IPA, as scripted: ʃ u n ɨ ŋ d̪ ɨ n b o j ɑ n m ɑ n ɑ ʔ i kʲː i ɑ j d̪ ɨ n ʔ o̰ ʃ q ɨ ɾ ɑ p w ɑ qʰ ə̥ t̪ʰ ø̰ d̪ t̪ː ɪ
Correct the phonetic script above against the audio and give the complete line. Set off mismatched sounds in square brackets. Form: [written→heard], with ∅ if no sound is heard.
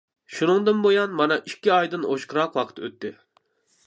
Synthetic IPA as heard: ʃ u n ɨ ŋ d̪ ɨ n b o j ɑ n m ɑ n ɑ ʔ i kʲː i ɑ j d̪ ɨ n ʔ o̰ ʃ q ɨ ɾ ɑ [p→q] w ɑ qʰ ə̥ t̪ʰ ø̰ [d̪→∅] t̪ː ɪ